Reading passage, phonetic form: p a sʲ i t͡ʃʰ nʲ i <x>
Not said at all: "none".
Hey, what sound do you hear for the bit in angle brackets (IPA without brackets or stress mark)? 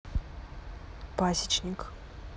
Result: k